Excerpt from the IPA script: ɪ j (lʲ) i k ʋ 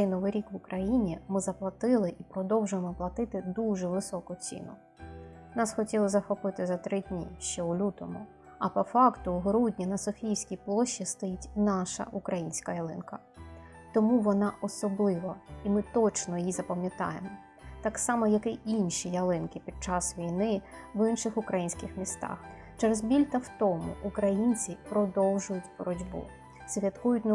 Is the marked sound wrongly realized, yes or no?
yes